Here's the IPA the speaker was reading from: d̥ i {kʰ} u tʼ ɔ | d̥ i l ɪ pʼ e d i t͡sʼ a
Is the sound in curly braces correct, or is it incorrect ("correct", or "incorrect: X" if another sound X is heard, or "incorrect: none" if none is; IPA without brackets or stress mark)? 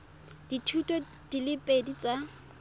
incorrect: tʰ